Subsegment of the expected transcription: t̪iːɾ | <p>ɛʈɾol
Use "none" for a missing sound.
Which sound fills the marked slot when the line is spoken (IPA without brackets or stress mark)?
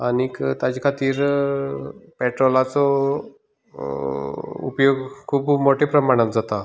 p